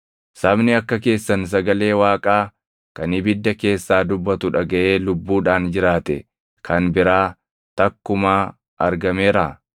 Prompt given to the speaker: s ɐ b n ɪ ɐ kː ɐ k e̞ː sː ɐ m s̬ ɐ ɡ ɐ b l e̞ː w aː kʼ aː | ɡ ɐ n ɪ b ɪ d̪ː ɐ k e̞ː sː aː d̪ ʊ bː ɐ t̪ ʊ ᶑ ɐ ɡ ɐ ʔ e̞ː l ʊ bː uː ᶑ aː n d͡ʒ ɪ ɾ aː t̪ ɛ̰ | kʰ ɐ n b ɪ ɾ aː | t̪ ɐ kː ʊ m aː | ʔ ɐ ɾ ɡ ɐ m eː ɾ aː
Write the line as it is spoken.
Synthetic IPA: s ɐ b n ɪ ɐ kː ɐ k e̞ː sː ɐ n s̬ ɐ ɡ ɐ l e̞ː w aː kʼ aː | k ɐ n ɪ b ɪ d̪ː ɐ k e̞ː sː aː d̪ ʊ bː ɐ t̪ ʊ ᶑ ɐ ɡ ɐ ʔ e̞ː l ʊ bː uː ᶑ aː n d͡ʒ ɪ ɾ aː t̪ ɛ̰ | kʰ ɐ n b ɪ ɾ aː | t̪ ɐ kː ʊ m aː | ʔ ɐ ɾ ɡ ɐ m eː ɾ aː